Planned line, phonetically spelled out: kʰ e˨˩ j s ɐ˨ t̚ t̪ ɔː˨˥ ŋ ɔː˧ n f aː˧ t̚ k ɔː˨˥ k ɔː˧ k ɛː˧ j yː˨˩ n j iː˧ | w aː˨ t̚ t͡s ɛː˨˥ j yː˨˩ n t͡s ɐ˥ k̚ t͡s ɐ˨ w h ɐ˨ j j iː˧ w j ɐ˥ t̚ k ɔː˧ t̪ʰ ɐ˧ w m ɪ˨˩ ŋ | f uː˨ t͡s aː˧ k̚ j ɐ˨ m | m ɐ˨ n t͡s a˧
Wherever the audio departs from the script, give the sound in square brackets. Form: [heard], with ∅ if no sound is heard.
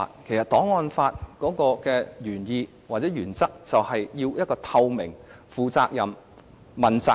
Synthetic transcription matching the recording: kʰ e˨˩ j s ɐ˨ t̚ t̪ ɔː˨˥ ŋ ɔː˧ n f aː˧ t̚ k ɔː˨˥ k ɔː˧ k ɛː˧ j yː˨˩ n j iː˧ | w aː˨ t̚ t͡s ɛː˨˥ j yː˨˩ n t͡s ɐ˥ k̚ t͡s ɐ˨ w h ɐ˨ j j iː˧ w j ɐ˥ t̚ k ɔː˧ t̪ʰ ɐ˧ w m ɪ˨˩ ŋ | f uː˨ t͡s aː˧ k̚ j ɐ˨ m | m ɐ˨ n t͡s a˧